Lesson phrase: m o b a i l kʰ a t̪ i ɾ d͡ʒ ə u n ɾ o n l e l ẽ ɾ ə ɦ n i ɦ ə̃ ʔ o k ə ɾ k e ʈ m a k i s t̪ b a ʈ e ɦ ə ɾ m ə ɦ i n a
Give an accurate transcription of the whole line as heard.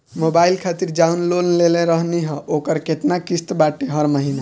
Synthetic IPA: m o b a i l kʰ a t̪ i ɾ d͡ʒ a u n l o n l e l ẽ ɾ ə ɦ n i ɦ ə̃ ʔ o k ə ɾ k e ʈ n a k i s t̪ b a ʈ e ɦ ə ɾ m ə ɦ i n a